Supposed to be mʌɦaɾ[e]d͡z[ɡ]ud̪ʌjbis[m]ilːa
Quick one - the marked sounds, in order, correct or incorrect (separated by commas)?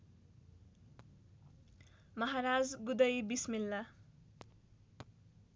incorrect, correct, correct